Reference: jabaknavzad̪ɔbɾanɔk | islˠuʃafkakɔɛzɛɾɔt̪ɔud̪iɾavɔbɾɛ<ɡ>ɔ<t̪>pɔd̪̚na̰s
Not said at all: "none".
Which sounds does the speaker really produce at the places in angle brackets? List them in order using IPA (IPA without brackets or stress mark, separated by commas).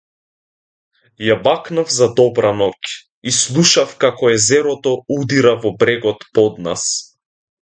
ɡ, t̪